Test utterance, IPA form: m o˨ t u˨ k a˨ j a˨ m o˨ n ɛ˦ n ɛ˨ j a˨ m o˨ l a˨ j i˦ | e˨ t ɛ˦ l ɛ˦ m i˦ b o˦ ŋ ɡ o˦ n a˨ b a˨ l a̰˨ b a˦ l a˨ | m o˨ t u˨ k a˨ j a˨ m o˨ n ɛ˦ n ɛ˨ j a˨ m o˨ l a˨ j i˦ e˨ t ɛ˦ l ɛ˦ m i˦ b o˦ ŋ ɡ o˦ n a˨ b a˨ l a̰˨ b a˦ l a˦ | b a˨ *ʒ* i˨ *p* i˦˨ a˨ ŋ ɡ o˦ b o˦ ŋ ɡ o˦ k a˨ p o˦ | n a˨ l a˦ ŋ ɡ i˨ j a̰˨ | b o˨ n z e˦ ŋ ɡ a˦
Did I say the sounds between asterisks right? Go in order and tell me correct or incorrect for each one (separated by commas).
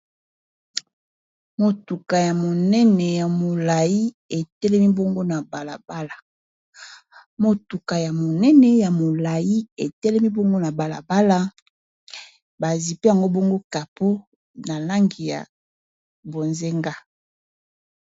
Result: incorrect, correct